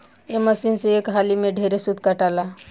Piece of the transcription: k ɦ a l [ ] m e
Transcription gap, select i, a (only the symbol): i